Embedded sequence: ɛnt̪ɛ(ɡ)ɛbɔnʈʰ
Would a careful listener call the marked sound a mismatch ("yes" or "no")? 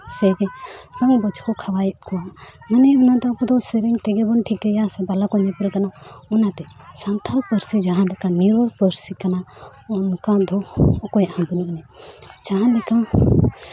no